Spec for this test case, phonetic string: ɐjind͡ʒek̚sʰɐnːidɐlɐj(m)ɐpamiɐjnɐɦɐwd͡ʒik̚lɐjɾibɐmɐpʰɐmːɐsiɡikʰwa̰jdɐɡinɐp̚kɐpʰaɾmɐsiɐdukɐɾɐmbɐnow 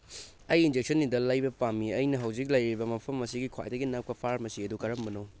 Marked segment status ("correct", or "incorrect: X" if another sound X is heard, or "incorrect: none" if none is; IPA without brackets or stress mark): incorrect: b